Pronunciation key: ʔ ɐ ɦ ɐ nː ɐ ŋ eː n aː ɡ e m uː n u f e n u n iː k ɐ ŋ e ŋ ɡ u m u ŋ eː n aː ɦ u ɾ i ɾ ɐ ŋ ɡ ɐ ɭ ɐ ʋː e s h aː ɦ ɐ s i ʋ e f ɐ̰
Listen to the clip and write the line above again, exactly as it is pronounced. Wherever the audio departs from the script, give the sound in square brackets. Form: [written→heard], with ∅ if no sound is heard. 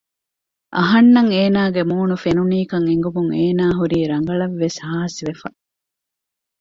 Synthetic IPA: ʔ ɐ ɦ ɐ nː ɐ ŋ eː n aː ɡ e m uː n u f e n u n iː k ɐ ŋ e ŋ ɡ u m u ŋ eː n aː ɦ u ɾ [i→iː] ɾ ɐ ŋ ɡ ɐ ɭ ɐ ʋː e s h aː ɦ ɐ s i ʋ e f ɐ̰